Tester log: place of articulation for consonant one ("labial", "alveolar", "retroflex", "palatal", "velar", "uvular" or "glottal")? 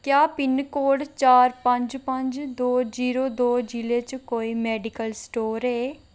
velar